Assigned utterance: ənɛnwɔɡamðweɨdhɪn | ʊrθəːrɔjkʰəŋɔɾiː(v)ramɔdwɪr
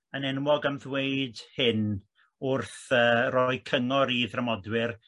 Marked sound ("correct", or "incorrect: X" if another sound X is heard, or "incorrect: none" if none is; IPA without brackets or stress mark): incorrect: ð